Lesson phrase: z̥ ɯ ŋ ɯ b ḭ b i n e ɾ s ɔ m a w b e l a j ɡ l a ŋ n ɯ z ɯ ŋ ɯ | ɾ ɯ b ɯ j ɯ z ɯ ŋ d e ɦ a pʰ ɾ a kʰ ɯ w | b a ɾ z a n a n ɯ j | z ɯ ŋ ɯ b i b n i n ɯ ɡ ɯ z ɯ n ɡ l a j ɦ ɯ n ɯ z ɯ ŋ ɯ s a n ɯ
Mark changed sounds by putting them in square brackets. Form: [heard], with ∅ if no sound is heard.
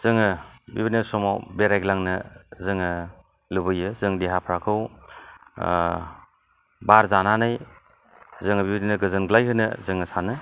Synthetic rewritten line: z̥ ɯ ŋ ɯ b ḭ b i n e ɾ s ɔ m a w b e [ɾ] a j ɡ l a ŋ n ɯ z ɯ ŋ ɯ | [l] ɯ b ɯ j ɯ z ɯ ŋ d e ɦ a pʰ ɾ a kʰ ɯ w | b a ɾ z a n a n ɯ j | z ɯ ŋ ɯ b i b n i n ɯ ɡ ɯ z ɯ n ɡ l a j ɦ ɯ n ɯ z ɯ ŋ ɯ s a n ɯ